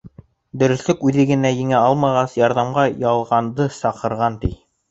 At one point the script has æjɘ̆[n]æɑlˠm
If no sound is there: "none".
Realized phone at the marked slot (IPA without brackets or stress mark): ŋ